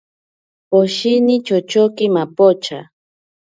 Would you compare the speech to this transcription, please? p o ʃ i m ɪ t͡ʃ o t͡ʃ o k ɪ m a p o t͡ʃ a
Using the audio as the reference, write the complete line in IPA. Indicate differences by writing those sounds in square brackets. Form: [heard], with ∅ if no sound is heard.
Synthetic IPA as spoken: p o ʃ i [n] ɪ t͡ʃ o t͡ʃ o k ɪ m a p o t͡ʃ a